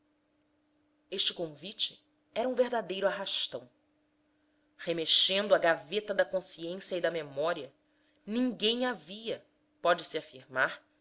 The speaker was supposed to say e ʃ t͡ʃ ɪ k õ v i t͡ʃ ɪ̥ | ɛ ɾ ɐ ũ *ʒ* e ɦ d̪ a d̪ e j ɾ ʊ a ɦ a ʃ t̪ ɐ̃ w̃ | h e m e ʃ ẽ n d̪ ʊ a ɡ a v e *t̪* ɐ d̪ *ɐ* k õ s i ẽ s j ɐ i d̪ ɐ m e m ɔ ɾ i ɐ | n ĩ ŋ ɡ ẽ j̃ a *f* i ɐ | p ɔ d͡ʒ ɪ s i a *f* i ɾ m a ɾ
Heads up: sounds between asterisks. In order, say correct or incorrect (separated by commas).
incorrect, correct, correct, incorrect, correct